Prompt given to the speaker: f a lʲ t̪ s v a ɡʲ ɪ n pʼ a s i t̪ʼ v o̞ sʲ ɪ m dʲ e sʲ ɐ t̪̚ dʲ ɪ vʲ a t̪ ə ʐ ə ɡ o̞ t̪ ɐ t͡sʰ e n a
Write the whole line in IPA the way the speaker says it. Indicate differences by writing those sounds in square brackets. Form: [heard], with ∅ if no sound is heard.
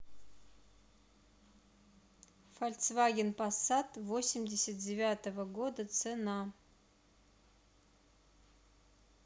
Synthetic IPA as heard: f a lʲ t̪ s v a ɡʲ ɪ n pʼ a s [a] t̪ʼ v o̞ sʲ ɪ m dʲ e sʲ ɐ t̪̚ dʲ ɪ vʲ a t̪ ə [v] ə ɡ o̞ [d̪] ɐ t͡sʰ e n a